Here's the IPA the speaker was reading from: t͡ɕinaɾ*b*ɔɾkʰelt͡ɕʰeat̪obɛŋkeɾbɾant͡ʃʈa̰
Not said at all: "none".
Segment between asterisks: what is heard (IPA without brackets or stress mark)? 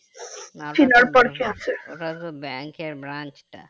p